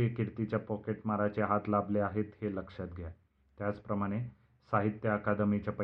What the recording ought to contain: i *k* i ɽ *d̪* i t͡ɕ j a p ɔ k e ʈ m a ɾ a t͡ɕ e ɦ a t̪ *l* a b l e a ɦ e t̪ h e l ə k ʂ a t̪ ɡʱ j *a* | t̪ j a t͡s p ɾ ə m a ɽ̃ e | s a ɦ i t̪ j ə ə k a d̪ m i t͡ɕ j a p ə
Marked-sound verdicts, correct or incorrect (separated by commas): correct, incorrect, correct, correct